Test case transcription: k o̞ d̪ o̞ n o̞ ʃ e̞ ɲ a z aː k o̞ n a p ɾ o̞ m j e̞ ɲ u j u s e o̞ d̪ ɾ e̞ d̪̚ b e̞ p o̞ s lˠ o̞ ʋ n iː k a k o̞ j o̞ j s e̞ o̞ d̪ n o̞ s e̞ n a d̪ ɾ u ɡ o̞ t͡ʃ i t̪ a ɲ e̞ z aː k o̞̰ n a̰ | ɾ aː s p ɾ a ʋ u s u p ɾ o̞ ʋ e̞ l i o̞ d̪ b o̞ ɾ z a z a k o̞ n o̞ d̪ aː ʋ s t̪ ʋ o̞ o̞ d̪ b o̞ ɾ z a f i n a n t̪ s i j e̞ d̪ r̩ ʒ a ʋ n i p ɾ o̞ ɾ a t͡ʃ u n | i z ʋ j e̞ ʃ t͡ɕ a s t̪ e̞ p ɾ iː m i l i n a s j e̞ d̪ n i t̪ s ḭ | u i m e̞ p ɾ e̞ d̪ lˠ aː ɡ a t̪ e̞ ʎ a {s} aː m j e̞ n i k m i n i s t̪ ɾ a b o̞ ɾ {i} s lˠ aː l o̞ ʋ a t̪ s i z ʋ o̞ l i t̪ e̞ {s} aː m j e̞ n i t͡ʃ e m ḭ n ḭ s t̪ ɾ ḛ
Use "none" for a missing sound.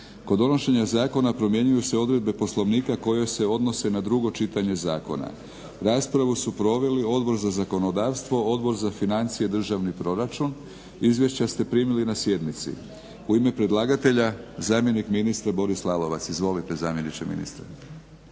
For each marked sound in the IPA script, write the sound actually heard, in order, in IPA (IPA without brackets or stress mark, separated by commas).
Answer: z, i, z